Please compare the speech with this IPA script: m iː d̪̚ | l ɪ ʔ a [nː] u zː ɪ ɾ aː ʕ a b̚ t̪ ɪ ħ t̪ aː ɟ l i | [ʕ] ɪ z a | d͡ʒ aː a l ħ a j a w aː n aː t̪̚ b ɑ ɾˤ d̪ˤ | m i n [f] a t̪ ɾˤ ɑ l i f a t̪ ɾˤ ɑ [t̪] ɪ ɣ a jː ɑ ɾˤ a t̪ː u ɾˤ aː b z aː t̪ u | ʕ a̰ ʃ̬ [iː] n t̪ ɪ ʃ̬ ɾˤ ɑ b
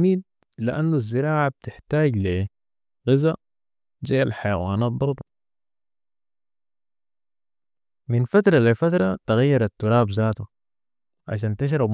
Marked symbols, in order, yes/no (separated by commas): yes, no, yes, yes, no